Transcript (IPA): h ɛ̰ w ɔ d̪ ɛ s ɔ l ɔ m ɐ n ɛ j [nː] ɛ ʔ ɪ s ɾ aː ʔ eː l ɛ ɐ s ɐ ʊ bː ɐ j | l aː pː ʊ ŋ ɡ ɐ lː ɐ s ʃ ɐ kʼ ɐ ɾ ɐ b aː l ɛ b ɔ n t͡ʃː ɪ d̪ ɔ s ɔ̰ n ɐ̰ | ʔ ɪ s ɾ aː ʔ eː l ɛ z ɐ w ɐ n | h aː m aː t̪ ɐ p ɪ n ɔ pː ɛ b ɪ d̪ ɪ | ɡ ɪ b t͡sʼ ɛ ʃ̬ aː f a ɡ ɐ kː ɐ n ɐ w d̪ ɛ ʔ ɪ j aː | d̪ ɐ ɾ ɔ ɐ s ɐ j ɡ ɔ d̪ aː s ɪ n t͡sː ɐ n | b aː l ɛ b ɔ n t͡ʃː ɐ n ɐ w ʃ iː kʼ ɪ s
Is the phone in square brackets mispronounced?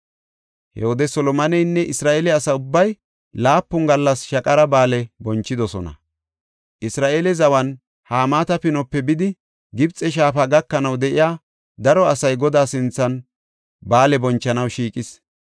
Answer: no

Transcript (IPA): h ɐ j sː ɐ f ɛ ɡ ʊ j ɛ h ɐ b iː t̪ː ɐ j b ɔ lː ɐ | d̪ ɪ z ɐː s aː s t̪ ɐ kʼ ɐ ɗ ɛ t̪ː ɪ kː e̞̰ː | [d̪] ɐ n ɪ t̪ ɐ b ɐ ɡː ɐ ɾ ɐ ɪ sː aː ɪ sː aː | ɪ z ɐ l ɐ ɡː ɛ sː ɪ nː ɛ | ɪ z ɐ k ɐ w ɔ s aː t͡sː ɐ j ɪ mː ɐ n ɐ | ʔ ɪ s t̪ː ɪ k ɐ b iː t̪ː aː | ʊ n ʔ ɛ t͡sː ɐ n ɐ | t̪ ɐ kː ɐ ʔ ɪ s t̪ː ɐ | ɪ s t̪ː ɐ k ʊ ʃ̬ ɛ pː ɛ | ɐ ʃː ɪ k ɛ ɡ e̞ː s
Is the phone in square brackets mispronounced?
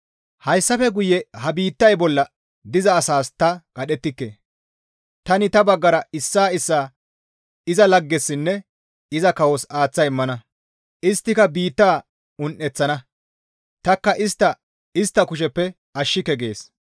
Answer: yes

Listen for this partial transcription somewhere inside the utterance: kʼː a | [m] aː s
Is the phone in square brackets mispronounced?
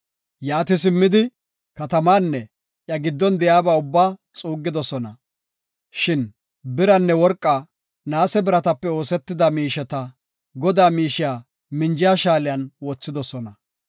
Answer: yes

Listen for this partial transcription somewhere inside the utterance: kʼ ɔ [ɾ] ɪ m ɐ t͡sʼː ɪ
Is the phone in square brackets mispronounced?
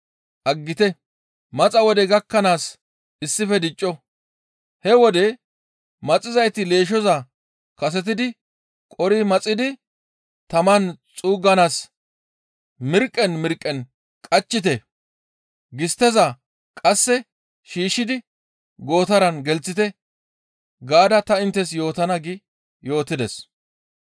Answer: no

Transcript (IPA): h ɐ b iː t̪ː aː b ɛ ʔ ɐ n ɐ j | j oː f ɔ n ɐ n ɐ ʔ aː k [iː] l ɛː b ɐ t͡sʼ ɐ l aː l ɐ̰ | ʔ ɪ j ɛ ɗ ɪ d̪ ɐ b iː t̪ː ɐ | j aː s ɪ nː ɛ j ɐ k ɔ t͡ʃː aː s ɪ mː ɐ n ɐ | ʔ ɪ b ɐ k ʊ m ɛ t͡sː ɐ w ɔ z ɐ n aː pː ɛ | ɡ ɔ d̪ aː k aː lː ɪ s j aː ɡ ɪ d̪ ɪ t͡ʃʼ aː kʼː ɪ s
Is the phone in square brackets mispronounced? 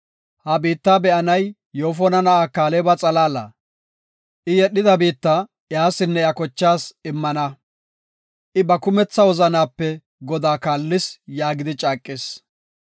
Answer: yes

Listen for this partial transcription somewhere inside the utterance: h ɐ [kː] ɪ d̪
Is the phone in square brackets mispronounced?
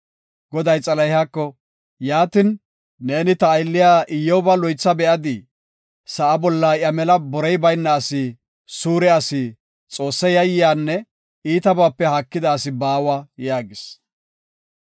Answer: no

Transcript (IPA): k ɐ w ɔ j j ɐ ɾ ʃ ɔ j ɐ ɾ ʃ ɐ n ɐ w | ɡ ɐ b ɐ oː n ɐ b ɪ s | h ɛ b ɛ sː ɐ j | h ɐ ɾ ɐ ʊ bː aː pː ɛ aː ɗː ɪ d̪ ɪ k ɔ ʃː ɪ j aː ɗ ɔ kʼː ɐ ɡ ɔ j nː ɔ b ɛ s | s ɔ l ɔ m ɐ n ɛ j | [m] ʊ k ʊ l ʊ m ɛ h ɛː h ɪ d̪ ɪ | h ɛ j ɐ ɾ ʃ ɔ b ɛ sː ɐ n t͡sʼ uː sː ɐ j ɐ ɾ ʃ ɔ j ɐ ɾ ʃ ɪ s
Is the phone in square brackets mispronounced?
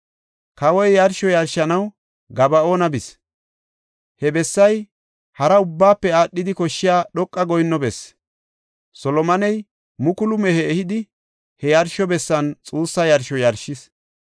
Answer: no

